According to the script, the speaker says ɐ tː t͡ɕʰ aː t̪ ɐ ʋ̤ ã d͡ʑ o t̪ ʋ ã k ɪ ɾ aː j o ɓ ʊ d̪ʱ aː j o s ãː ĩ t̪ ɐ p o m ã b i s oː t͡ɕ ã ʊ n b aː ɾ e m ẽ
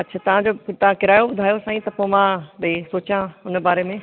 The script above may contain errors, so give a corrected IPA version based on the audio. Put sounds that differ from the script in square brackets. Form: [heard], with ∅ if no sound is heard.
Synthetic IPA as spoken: ɐ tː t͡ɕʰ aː t̪ ɐ ʋ̤ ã d͡ʑ o t̪ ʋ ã k ɪ ɾ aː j o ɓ ʊ d̪ʱ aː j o s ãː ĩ t̪ ɐ p o m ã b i s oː t͡ɕ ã ʊ n b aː ɾ e m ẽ